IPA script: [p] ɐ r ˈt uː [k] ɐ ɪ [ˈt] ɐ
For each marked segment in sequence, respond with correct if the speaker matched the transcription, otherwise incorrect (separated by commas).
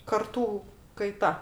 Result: incorrect, correct, correct